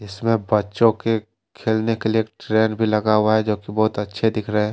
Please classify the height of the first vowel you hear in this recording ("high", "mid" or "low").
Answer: high